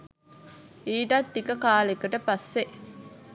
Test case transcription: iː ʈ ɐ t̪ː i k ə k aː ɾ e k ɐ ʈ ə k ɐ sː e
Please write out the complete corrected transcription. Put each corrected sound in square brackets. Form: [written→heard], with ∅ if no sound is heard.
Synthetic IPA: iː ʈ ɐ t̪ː i k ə k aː [ɾ→l] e k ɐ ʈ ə [k→p] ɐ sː e